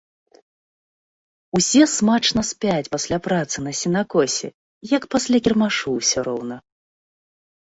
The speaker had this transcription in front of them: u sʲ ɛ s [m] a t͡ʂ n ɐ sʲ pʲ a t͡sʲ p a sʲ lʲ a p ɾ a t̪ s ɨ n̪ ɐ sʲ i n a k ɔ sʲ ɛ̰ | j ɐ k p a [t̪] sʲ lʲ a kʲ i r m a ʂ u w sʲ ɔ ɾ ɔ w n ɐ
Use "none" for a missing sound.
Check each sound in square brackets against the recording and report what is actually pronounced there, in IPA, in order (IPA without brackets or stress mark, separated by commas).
m, none